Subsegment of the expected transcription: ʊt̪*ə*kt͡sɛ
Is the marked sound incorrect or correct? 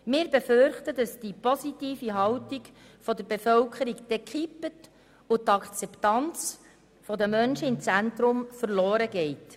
incorrect